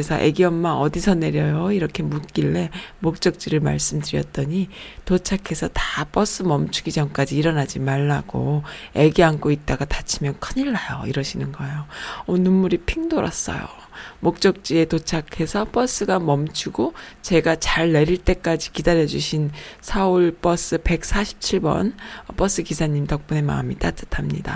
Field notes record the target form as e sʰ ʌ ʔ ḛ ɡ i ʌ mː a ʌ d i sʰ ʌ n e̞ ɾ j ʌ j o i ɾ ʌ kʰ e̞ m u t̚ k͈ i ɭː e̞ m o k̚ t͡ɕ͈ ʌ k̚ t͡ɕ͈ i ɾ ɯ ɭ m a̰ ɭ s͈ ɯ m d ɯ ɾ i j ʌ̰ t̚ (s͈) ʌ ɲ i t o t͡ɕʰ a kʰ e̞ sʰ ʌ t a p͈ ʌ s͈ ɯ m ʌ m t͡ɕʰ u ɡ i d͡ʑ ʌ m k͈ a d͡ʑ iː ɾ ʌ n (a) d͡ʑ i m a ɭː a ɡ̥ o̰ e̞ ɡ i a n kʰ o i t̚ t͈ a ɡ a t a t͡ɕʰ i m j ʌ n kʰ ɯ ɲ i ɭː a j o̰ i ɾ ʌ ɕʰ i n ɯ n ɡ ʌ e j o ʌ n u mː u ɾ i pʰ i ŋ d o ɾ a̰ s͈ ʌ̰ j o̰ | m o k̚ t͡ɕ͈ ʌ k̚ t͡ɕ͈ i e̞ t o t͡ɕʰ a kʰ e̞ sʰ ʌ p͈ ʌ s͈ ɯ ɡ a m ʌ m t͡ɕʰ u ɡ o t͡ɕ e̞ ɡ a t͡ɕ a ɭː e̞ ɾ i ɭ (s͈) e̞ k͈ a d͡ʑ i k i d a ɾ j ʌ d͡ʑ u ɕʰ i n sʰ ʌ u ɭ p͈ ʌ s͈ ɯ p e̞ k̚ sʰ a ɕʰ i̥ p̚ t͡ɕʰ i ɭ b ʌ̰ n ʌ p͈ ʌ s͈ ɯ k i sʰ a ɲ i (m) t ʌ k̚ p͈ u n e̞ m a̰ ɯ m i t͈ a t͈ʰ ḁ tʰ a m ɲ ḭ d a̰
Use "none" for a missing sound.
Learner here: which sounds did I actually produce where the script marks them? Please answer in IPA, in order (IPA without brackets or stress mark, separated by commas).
t͈, a, t͈, m